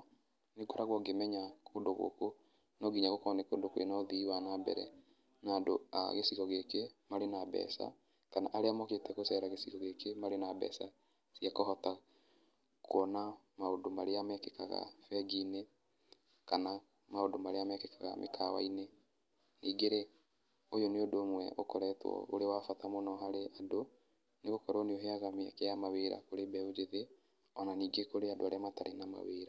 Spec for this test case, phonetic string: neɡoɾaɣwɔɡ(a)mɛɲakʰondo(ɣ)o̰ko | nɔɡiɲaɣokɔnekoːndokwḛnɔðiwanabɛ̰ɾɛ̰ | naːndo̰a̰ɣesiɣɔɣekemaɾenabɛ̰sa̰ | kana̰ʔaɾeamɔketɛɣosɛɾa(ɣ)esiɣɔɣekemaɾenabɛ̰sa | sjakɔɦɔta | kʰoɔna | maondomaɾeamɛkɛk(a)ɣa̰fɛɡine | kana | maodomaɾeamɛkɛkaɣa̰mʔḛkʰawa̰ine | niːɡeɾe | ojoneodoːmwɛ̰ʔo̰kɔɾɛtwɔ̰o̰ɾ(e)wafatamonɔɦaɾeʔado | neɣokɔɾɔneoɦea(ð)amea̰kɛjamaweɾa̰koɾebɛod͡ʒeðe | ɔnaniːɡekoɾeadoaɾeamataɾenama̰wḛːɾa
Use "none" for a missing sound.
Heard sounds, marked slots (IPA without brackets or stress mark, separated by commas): e, ɣ, ɣ, a, e, ɣ